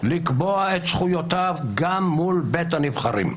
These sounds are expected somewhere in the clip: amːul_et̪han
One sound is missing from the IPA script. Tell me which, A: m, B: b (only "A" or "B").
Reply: B